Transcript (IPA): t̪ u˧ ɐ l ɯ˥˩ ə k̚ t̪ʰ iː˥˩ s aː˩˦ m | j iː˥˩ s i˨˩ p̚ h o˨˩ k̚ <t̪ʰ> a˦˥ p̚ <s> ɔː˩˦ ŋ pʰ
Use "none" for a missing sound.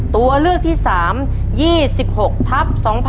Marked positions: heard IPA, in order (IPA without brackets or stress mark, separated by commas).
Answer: t̪ʰ, s